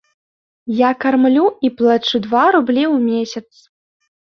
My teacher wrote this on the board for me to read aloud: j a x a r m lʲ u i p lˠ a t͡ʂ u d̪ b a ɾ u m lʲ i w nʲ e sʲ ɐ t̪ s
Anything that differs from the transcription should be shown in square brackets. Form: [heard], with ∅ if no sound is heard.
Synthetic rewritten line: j a [k] a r m lʲ u i p lˠ a t͡ʂ u d̪ [v] a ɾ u [b] lʲ i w [mʲ] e sʲ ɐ t̪ s